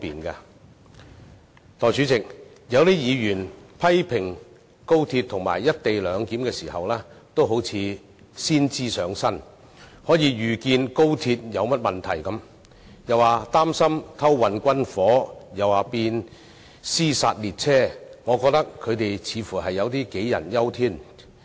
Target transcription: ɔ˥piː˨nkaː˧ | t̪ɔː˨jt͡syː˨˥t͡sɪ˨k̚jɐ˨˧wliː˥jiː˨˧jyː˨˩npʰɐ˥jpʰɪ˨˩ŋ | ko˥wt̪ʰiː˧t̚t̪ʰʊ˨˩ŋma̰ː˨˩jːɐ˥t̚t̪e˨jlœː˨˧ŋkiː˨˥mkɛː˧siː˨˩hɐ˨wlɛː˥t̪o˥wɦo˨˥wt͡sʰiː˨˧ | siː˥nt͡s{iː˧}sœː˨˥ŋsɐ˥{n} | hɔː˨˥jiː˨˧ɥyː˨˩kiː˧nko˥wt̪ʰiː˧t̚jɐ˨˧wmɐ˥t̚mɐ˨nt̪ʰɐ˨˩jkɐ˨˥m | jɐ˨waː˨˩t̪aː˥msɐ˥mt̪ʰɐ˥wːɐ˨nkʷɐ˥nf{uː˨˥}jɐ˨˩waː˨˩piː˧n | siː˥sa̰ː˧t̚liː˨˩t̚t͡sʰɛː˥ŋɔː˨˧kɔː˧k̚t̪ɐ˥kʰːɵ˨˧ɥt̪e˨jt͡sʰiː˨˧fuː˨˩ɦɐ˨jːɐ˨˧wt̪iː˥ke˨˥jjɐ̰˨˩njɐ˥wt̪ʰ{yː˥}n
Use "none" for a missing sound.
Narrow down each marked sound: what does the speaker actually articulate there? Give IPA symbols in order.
iː˥, n, ɔː˨˥, iː˥

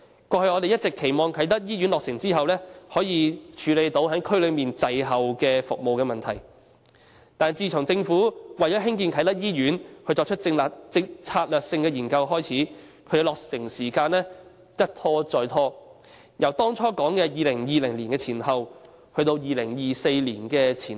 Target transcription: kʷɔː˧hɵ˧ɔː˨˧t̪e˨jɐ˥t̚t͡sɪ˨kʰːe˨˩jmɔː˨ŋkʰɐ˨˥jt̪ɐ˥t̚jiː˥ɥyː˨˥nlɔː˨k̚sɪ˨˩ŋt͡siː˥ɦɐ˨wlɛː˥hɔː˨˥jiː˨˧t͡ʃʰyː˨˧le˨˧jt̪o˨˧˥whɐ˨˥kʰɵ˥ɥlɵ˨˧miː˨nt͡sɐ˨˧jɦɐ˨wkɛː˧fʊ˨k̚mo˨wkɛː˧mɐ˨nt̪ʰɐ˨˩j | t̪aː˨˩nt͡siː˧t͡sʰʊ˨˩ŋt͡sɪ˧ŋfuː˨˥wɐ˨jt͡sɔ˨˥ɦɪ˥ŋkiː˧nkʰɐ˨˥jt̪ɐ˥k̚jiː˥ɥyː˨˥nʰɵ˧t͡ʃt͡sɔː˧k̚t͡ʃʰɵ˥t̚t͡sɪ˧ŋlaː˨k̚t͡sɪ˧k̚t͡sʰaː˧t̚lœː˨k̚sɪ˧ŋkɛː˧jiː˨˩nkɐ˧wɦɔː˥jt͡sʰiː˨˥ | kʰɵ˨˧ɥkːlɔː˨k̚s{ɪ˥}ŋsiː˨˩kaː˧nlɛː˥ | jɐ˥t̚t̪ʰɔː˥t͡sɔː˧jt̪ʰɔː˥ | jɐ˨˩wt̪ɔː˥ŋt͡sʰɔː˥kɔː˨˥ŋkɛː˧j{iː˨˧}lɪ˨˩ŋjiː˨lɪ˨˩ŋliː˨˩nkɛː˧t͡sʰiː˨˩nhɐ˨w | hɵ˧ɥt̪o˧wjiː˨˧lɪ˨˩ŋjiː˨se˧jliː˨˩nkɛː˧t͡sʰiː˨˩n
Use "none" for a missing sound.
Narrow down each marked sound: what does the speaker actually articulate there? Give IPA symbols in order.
ɪ˨˩, iː˨˧

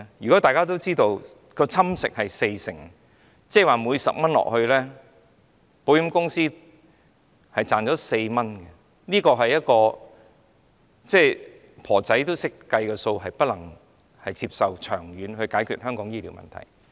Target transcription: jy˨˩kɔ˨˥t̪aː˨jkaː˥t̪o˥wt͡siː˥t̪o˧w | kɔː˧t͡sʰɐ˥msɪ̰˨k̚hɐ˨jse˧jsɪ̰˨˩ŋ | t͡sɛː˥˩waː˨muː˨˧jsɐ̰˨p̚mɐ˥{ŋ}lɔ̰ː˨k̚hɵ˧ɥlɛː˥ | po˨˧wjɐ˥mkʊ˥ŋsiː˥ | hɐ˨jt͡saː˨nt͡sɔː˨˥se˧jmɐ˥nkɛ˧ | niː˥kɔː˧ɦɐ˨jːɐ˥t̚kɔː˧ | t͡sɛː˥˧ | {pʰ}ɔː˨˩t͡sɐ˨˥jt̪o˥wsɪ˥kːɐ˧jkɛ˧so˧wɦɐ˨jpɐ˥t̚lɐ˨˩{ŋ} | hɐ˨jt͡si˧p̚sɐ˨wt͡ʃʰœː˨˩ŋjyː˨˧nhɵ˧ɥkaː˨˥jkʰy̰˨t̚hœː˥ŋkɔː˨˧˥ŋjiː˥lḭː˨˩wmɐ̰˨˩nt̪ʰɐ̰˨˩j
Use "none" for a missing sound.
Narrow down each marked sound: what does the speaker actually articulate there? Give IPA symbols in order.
n, pʰ, ŋ

